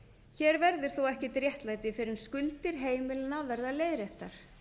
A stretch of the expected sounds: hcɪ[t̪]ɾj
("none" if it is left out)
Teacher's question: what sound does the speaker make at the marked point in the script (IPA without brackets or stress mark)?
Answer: t̪